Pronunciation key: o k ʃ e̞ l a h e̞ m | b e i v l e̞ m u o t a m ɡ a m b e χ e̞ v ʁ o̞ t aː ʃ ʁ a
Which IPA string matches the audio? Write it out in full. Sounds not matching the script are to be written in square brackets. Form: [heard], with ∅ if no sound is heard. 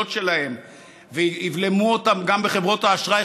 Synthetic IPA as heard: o [t] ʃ e̞ l a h e̞ m | [v] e i v l e̞ m u o t a m ɡ a m b e χ e̞ v ʁ o̞ t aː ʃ ʁ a